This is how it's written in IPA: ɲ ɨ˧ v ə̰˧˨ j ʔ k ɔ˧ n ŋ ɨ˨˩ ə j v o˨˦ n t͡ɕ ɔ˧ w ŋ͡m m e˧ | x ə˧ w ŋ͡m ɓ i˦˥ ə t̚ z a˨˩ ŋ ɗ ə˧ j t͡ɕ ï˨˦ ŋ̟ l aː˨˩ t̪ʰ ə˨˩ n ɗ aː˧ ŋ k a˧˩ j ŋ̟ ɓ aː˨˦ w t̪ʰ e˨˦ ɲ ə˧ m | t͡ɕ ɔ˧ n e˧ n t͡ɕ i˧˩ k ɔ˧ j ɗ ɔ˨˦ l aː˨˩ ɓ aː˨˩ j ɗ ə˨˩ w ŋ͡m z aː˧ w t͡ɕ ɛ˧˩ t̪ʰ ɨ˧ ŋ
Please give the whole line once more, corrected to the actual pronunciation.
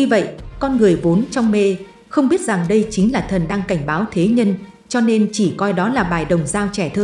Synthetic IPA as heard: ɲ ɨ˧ v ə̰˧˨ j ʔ k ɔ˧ n ŋ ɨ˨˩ ə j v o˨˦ n t͡ɕ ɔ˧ w ŋ͡m m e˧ | x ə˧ w ŋ͡m ɓ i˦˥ ə t̚ z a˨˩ ŋ ɗ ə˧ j t͡ɕ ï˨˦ ŋ̟ l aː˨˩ t̪ʰ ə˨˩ n ɗ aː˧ ŋ k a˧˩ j ŋ̟ ɓ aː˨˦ w t̪ʰ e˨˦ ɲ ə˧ n | t͡ɕ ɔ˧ n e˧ n t͡ɕ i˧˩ k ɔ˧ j ɗ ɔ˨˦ l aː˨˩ ɓ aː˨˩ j ɗ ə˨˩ w ŋ͡m z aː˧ w t͡ɕ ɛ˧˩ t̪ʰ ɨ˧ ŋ